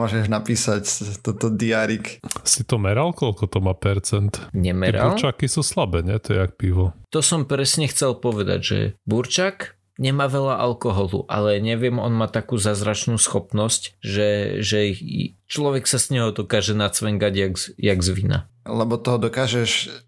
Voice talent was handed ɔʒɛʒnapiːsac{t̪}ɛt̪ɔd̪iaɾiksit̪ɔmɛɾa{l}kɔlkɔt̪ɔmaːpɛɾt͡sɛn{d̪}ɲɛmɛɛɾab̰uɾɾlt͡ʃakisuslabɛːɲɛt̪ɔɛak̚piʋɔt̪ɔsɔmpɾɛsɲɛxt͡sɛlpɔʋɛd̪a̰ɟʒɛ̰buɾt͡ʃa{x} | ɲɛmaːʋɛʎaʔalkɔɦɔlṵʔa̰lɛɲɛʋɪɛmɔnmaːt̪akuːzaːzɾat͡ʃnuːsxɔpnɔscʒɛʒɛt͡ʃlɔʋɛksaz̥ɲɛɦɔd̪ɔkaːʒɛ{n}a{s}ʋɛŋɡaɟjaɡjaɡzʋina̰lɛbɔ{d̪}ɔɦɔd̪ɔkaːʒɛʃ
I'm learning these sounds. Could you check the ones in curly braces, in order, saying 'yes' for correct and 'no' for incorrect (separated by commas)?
yes, yes, no, no, yes, no, no